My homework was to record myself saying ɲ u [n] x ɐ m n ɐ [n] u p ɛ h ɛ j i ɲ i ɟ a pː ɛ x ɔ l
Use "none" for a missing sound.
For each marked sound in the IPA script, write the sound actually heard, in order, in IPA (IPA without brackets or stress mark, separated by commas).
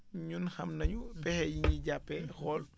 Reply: n, ɲ